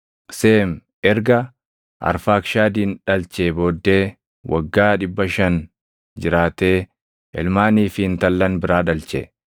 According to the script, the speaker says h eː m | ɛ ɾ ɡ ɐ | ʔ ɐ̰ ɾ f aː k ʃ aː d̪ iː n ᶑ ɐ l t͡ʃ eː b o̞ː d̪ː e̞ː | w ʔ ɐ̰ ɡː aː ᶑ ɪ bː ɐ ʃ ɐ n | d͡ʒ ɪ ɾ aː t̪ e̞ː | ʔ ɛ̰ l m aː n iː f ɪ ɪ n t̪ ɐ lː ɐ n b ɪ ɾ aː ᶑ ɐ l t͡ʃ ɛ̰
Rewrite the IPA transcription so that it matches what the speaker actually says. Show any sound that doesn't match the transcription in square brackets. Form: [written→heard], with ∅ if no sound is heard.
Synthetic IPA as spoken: [h→s] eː m | ɛ ɾ ɡ ɐ | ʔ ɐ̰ ɾ f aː k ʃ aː d̪ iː n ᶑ ɐ l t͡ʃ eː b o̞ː d̪ː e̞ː | w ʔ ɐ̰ ɡː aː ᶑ ɪ bː ɐ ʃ ɐ n | d͡ʒ ɪ ɾ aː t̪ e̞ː | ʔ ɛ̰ l m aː n iː f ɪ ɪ n t̪ ɐ lː ɐ n b ɪ ɾ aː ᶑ ɐ l t͡ʃ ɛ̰

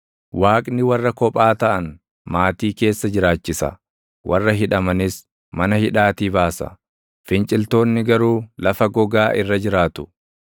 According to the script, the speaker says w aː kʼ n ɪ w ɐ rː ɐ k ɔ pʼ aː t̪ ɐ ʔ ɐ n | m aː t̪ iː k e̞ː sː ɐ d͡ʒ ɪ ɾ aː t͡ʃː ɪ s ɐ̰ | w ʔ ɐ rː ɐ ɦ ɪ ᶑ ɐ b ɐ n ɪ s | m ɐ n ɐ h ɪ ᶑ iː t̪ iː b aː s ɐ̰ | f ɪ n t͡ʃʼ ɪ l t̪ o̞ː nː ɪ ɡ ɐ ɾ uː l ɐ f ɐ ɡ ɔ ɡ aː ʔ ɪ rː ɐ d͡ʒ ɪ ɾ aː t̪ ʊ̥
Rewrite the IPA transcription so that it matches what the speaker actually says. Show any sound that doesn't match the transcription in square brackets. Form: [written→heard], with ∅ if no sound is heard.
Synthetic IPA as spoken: w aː kʼ n ɪ w ɐ rː ɐ k ɔ pʼ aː t̪ ɐ ʔ ɐ n | m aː t̪ iː k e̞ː sː ɐ d͡ʒ ɪ ɾ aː t͡ʃː ɪ s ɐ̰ | w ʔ ɐ rː ɐ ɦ ɪ ᶑ ɐ [b→m] ɐ n ɪ s | m ɐ n ɐ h ɪ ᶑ [iː→aː] t̪ iː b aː s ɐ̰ | f ɪ n t͡ʃʼ ɪ l t̪ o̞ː nː ɪ ɡ ɐ ɾ uː l ɐ f ɐ ɡ ɔ ɡ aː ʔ ɪ rː ɐ d͡ʒ ɪ ɾ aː t̪ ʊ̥

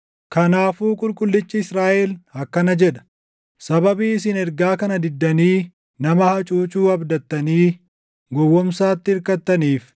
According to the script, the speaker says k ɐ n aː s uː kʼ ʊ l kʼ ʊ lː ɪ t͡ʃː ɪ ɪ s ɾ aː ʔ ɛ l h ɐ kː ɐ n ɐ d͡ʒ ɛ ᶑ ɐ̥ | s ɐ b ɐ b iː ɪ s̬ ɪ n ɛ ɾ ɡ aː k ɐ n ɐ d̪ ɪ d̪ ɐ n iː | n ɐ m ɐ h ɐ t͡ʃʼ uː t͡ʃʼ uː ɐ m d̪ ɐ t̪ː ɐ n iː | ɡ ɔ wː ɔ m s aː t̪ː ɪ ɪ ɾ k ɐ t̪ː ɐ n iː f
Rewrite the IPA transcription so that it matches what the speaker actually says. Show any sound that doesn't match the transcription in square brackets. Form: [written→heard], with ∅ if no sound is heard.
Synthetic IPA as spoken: k ɐ n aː [s→f] uː kʼ ʊ l kʼ ʊ lː ɪ t͡ʃː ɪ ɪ s ɾ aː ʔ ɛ l h ɐ kː ɐ n ɐ d͡ʒ ɛ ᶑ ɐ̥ | s ɐ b ɐ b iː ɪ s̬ ɪ n ɛ ɾ ɡ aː k ɐ n ɐ d̪ ɪ [d̪→d̪ː] ɐ n iː | n ɐ m ɐ h ɐ t͡ʃʼ uː t͡ʃʼ uː ɐ [m→b] d̪ ɐ t̪ː ɐ n iː | ɡ ɔ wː ɔ m s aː t̪ː ɪ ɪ ɾ k ɐ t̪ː ɐ n iː f

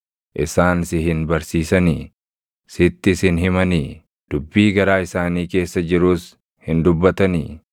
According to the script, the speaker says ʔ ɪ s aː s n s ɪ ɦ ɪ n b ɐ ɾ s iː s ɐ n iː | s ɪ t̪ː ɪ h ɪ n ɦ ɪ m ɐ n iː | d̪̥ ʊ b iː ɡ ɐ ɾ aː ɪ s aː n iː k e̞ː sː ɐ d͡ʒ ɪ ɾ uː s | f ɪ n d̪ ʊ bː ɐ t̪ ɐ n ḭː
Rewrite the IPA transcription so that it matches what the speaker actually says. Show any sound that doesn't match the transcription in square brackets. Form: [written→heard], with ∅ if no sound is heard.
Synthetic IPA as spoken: ʔ ɪ s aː [s→∅] n s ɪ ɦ ɪ n b ɐ ɾ s iː s ɐ n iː | s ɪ t̪ː ɪ [h→s] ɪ n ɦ ɪ m ɐ n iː | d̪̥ ʊ [b→bː] iː ɡ ɐ ɾ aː ɪ s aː n iː k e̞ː sː ɐ d͡ʒ ɪ ɾ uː s | [f→h] ɪ n d̪ ʊ bː ɐ t̪ ɐ n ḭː

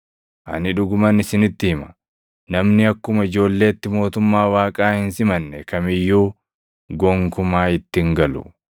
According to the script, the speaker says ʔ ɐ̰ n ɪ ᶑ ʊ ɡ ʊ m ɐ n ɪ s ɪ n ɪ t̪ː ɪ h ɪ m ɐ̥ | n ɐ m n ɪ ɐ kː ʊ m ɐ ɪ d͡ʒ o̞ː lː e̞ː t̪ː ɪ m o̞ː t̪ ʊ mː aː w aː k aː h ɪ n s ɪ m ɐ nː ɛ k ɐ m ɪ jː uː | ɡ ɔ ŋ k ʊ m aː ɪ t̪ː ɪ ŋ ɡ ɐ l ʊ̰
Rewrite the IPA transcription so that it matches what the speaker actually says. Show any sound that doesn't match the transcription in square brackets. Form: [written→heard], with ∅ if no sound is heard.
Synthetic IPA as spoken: ʔ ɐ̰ n ɪ ᶑ ʊ ɡ ʊ m ɐ n ɪ s ɪ n ɪ t̪ː ɪ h ɪ m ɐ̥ | n ɐ m n ɪ ɐ kː ʊ m ɐ ɪ d͡ʒ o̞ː lː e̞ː t̪ː ɪ m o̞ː t̪ ʊ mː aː w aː [k→kʼ] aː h ɪ n s ɪ m ɐ nː ɛ k ɐ m ɪ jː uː | ɡ ɔ ŋ k ʊ m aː ɪ t̪ː ɪ ŋ ɡ ɐ l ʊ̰

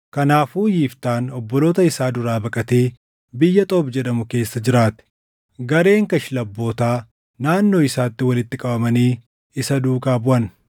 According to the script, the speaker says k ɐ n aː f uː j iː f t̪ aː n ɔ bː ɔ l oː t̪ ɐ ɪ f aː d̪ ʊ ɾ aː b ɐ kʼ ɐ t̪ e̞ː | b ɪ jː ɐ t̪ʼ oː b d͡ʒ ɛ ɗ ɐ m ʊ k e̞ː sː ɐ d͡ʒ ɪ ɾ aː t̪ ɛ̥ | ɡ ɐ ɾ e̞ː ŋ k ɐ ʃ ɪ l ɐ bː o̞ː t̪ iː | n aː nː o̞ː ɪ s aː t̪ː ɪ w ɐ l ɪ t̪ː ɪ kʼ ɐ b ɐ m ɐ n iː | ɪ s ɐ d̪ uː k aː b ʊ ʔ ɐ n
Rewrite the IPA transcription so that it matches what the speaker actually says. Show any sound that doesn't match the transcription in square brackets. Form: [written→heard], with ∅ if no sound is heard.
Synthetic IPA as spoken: k ɐ n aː f uː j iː f t̪ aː n ɔ bː ɔ l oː t̪ ɐ ɪ [f→s] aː d̪ ʊ ɾ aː b ɐ kʼ ɐ t̪ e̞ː | b ɪ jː ɐ t̪ʼ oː b d͡ʒ ɛ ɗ ɐ m ʊ k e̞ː sː ɐ d͡ʒ ɪ ɾ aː t̪ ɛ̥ | ɡ ɐ ɾ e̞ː ŋ k ɐ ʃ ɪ l ɐ bː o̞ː t̪ [iː→aː] | n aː nː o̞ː ɪ s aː t̪ː ɪ w ɐ l ɪ t̪ː ɪ kʼ ɐ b ɐ m ɐ n iː | ɪ s ɐ d̪ uː k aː b ʊ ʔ ɐ n

